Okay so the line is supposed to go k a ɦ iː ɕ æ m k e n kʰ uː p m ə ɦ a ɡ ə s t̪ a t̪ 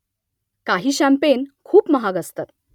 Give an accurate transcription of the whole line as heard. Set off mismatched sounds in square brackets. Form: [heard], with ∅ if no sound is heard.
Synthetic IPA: k a ɦ iː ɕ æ m [p] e n kʰ uː p m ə ɦ a ɡ ə s t̪ a t̪